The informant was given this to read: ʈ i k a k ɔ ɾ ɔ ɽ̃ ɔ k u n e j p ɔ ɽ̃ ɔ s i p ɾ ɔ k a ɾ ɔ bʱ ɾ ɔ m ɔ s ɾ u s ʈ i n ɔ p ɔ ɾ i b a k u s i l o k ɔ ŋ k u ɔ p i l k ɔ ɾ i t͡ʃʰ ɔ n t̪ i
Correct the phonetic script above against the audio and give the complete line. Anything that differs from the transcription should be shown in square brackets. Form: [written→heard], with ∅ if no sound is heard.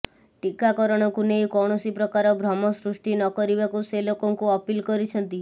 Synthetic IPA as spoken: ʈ i k a k ɔ ɾ ɔ ɽ̃ ɔ k u n e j [p→k] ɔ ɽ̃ ɔ s i p ɾ ɔ k a ɾ ɔ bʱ ɾ ɔ m ɔ s ɾ u s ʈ i n ɔ [p→k] ɔ ɾ i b a k u s [i→e] l o k ɔ ŋ k u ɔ p i l k ɔ ɾ i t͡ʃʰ ɔ n t̪ i